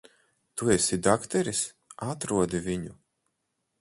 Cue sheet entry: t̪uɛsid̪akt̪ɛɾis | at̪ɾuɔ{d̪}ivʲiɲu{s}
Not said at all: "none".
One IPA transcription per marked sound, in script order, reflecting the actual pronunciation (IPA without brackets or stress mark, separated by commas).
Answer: d̪, none